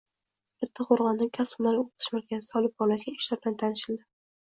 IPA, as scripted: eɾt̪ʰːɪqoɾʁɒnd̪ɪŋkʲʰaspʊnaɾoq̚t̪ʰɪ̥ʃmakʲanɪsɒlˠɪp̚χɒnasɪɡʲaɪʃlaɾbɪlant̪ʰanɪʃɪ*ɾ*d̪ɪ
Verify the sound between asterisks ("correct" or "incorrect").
incorrect